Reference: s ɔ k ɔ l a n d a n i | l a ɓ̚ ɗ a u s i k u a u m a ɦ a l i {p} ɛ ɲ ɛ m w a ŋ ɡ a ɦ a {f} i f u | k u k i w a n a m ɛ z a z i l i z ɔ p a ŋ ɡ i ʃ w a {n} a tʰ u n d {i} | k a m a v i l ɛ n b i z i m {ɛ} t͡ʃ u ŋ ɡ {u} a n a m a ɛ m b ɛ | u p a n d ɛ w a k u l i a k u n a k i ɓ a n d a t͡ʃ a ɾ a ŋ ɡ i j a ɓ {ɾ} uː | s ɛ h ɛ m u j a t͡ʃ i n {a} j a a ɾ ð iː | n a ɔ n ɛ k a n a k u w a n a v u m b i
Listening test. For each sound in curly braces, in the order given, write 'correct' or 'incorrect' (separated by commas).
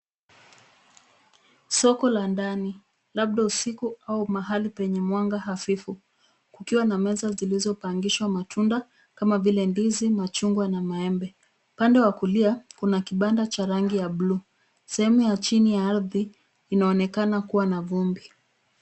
correct, correct, incorrect, incorrect, incorrect, incorrect, incorrect, incorrect